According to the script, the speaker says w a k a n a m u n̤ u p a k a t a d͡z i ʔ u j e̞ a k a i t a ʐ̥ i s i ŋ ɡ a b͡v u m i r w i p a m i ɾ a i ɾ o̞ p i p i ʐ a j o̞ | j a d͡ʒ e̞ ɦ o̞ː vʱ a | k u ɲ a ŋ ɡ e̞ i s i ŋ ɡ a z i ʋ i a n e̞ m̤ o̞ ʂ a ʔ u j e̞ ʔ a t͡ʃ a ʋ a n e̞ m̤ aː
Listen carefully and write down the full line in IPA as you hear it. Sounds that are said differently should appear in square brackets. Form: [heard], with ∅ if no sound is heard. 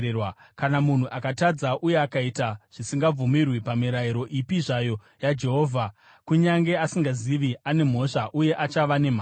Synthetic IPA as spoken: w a k a n a m u n̤ u [ʔ] a k a t a d͡z [a] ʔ u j e̞ a k a i t a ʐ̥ i s i ŋ ɡ a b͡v u m i r w i p a m i ɾ a i ɾ o̞ [ʔ] i p i ʐ a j o̞ | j a d͡ʒ e̞ ɦ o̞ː vʱ a | k u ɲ a ŋ ɡ e̞ [a] s i ŋ ɡ a z i ʋ i a n e̞ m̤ o̞ ʂ a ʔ u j e̞ ʔ a t͡ʃ a ʋ a n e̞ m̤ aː